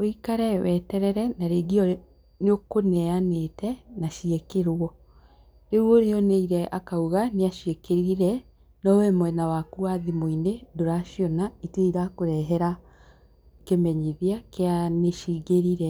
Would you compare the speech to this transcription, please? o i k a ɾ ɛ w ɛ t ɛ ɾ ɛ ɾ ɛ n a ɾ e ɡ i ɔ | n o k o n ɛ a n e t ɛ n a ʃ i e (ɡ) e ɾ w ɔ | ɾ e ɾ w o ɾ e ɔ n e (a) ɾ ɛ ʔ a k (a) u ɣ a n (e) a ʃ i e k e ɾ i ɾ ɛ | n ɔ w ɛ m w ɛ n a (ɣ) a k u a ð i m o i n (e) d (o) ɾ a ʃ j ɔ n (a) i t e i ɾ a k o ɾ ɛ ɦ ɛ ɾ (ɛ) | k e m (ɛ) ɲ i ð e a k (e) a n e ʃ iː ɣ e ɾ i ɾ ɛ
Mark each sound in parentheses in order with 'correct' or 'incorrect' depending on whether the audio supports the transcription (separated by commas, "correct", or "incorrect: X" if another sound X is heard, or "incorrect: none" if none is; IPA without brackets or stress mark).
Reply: incorrect: k, incorrect: i, correct, correct, incorrect: w, correct, correct, correct, incorrect: a, correct, correct